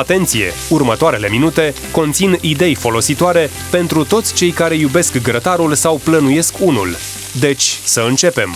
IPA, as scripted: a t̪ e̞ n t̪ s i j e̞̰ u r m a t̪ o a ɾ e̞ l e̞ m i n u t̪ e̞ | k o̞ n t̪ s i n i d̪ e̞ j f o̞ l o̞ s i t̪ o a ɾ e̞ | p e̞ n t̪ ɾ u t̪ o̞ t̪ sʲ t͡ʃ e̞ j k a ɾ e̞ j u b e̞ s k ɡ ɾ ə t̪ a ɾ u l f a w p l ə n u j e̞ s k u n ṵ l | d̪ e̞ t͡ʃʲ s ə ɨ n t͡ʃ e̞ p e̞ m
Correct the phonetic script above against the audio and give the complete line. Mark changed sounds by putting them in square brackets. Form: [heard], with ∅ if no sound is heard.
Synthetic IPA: a t̪ e̞ n t̪ s i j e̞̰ u r m [ə] t̪ o a ɾ e̞ l e̞ m i n u t̪ e̞ | k o̞ n t̪ s i n i d̪ e̞ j f o̞ l o̞ s i t̪ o a ɾ e̞ | p e̞ n t̪ ɾ u t̪ o̞ t̪ sʲ t͡ʃ e̞ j k a ɾ e̞ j u b e̞ s k ɡ ɾ ə t̪ a ɾ u l [s] a w p l ə n u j e̞ s k u n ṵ l | d̪ e̞ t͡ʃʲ s ə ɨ n t͡ʃ e̞ p e̞ m